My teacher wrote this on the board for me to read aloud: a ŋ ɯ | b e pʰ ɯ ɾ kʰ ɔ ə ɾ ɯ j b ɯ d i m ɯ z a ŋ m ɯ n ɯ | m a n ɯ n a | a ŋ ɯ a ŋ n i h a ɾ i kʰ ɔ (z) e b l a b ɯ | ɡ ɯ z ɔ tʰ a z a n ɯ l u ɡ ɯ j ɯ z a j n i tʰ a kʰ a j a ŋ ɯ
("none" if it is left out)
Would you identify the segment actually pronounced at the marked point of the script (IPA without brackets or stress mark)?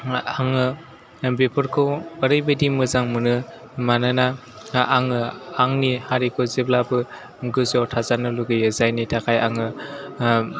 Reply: z